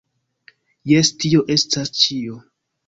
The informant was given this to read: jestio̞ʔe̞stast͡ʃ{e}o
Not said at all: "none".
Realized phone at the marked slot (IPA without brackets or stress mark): i